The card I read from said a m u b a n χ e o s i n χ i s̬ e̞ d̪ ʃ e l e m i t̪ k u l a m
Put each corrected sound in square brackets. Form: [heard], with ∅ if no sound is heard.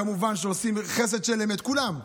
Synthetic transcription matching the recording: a m u [v] a n [ʃ] e o s i [m] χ [e] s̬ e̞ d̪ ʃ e l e m [e] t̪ k u l a m